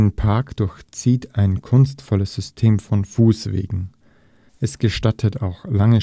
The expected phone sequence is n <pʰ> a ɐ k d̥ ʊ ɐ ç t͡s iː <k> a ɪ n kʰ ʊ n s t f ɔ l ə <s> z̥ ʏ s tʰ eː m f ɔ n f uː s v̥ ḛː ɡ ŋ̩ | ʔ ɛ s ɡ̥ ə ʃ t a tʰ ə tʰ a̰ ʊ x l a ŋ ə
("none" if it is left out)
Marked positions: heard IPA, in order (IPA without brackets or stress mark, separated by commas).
pʰ, t, s